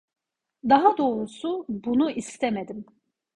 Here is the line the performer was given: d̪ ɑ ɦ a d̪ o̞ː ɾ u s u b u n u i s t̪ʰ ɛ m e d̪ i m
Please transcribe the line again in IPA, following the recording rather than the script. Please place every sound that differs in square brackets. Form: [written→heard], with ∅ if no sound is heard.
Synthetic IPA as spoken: d̪ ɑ ɦ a d̪ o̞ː ɾ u s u b u n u i s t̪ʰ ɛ m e d̪ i m